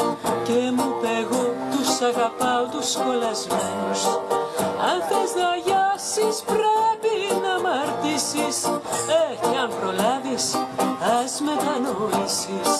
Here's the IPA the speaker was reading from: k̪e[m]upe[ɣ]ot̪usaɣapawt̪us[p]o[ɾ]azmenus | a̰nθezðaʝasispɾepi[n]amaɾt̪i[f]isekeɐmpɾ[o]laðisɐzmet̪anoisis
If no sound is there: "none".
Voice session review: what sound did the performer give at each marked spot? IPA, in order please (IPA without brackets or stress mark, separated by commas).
m, ɣ, k, l, n, s, o